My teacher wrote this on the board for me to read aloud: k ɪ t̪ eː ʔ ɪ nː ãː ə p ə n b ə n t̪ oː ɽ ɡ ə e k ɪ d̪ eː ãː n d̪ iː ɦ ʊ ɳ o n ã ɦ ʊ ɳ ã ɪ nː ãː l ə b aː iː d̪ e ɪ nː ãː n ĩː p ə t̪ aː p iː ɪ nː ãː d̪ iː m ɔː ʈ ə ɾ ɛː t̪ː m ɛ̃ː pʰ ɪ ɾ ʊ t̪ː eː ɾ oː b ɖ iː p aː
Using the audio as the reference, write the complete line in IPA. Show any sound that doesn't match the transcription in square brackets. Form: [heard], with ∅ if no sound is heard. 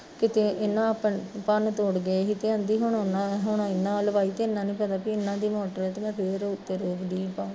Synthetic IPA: k ɪ t̪ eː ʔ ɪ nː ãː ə p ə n [p] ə n t̪ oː ɽ ɡ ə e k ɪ [t̪] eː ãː n d̪ iː ɦ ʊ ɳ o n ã ɦ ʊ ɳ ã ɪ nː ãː l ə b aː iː [t̪] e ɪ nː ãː n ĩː p ə t̪ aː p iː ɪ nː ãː d̪ iː m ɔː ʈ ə ɾ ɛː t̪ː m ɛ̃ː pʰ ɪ ɾ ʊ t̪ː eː ɾ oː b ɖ iː p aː